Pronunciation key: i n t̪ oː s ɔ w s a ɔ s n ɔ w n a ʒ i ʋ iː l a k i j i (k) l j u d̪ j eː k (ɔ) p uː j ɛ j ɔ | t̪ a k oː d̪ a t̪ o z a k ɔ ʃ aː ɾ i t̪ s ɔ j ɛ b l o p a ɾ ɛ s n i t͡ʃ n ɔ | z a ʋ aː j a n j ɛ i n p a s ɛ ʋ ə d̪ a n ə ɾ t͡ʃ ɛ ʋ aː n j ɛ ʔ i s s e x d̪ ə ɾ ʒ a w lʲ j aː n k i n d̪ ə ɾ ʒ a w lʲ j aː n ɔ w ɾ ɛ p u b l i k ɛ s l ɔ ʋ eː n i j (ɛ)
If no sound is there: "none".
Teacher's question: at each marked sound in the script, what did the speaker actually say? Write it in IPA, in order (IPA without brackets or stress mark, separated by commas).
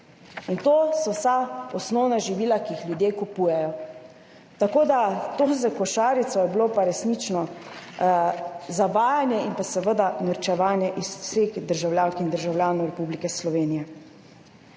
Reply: x, u, ɛ